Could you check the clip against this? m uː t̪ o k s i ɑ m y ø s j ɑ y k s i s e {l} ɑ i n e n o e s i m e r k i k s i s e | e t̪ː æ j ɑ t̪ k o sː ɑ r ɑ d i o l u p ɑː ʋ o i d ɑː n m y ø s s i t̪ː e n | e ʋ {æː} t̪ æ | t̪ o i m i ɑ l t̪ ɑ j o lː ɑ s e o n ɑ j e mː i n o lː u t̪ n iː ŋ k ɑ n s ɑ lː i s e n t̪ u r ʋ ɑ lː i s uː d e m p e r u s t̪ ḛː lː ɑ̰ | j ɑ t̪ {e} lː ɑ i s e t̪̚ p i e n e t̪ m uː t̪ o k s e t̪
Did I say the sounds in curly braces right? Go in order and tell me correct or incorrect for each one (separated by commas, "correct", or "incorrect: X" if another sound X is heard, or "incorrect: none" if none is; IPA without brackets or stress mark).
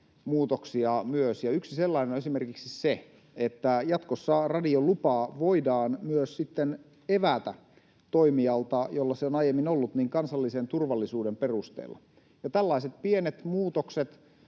incorrect: lː, incorrect: æ, incorrect: æ